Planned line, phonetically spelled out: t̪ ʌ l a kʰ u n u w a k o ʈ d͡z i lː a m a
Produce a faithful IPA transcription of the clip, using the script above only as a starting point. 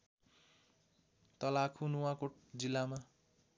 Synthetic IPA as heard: t̪ ʌ l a kʰ u n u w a k o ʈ d͡z i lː a m a